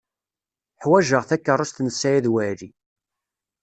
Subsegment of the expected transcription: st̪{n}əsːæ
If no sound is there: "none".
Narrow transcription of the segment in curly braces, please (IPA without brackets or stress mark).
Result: n